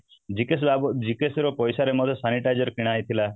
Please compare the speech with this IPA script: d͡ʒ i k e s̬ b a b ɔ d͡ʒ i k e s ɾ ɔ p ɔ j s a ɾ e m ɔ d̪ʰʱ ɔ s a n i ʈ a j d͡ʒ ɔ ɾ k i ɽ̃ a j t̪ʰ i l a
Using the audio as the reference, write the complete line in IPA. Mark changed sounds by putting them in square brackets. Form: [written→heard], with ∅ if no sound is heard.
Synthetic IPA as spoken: d͡ʒ i k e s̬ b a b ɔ d͡ʒ i k e s ɾ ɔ p ɔ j s a ɾ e m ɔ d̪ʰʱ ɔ s a n i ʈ a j d͡ʒ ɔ ɾ k i ɽ̃ a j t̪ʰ i l a